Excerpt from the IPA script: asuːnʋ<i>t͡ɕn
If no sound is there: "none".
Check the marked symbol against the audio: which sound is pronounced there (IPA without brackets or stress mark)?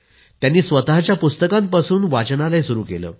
a